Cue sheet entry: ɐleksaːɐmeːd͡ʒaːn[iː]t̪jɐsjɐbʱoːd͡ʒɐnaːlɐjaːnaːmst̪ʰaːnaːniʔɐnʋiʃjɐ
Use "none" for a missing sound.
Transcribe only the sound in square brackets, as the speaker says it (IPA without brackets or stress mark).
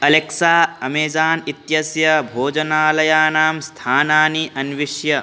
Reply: i